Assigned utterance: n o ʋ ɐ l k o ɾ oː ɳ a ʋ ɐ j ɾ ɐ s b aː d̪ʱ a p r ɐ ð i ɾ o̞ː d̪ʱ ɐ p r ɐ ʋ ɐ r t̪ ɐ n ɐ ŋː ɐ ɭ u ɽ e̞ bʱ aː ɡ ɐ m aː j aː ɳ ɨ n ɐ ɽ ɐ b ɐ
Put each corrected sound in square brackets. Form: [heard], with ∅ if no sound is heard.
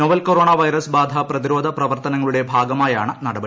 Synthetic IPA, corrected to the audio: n o ʋ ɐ l k o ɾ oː ɳ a ʋ ɐ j ɾ ɐ s b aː d̪ʱ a p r ɐ ð i ɾ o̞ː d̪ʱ ɐ p r ɐ ʋ ɐ r t̪ ɐ n ɐ ŋː ɐ ɭ u ɽ e̞ bʱ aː ɡ ɐ m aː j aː ɳ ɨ n ɐ ɽ ɐ b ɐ